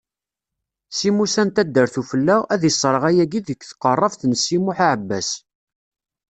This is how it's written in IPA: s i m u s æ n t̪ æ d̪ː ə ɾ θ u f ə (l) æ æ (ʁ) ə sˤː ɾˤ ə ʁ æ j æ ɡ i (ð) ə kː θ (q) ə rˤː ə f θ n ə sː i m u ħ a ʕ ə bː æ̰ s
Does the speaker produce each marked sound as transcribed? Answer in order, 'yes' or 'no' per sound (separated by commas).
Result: no, no, yes, yes